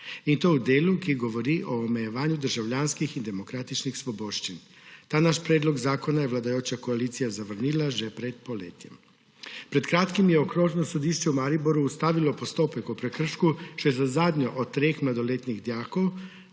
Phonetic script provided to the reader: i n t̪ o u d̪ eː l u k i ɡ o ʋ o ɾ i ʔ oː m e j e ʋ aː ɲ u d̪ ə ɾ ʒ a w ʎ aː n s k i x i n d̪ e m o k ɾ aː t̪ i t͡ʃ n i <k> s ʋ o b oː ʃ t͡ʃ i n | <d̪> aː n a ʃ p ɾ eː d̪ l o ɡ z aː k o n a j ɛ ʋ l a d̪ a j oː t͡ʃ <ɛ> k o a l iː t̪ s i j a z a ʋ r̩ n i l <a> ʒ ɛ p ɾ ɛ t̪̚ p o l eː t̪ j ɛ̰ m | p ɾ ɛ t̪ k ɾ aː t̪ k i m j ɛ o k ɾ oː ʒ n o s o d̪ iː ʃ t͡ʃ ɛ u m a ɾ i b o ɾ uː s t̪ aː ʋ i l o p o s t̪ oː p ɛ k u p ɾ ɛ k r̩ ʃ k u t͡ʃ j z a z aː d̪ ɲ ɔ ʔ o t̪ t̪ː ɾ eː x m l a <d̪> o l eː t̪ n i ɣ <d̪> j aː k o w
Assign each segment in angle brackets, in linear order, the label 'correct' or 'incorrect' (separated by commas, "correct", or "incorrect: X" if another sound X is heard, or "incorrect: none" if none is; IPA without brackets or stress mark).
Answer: incorrect: x, incorrect: t̪, incorrect: a, correct, correct, correct